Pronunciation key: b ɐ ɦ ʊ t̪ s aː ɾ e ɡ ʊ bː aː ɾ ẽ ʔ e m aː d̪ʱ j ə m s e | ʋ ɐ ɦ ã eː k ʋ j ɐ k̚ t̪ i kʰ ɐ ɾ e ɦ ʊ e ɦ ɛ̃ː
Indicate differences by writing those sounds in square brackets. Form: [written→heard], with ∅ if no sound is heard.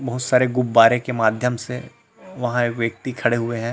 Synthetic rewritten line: b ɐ ɦ ʊ t̪ s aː ɾ e ɡ ʊ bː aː ɾ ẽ [ʔ→k] e m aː d̪ʱ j ə m s e | ʋ ɐ ɦ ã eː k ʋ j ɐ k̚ t̪ i kʰ ɐ [ɾ→ɽ] e ɦ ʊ e ɦ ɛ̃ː